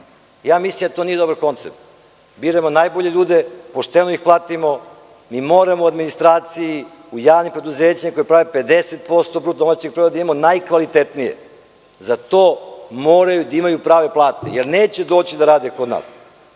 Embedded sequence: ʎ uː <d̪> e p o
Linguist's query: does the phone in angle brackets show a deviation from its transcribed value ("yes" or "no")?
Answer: no